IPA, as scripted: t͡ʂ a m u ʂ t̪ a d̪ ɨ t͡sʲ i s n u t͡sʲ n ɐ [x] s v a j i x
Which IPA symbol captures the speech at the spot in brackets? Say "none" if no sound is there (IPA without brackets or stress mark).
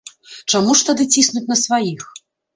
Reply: none